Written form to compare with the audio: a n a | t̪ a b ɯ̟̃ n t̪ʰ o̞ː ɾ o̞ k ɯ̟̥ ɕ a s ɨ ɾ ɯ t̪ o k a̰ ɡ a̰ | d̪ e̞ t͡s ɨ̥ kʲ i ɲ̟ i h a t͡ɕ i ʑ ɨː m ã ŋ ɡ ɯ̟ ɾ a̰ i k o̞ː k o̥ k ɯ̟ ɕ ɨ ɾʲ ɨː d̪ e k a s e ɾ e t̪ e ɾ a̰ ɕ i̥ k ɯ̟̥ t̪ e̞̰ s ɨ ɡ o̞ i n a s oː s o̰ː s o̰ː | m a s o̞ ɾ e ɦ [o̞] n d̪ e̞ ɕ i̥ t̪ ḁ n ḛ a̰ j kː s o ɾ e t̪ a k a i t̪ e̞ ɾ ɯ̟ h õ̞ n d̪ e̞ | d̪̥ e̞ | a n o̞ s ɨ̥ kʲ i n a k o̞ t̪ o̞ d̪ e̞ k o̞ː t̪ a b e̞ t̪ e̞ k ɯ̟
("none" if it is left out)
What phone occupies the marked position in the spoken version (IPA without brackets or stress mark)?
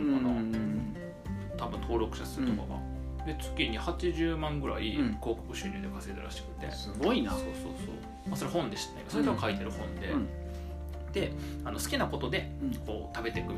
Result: õ̞